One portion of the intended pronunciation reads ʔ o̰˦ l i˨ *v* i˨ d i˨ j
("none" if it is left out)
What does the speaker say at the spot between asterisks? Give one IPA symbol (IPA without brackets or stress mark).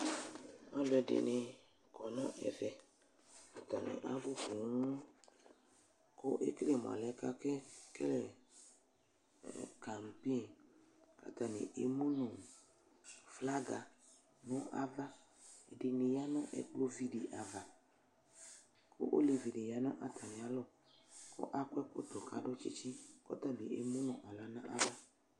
v